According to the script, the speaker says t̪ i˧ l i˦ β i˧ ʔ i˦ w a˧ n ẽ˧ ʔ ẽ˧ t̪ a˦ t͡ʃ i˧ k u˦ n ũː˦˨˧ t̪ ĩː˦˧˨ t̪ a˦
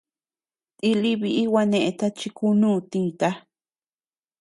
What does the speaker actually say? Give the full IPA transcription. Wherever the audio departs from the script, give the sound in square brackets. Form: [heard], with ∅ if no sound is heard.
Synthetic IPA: t̪ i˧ l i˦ β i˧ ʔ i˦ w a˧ n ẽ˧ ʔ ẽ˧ t̪ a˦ t͡ʃ i˧ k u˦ n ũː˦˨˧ t̪ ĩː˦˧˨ t̪ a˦